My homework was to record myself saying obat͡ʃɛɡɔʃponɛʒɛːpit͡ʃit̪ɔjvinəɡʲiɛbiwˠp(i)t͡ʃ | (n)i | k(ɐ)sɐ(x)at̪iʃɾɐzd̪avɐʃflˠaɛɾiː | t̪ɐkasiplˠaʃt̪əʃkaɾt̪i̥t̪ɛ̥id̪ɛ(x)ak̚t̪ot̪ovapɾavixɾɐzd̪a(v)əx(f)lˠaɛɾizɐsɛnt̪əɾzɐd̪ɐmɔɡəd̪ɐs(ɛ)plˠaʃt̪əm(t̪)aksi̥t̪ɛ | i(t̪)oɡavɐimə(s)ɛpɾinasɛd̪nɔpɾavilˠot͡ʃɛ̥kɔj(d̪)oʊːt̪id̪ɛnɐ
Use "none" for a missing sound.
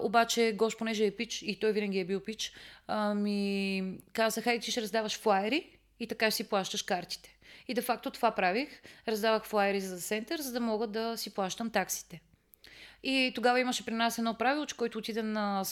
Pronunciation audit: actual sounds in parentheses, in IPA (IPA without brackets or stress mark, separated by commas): i, m, a, x, f, v, f, i, t̪, t̪, ʃ, t̪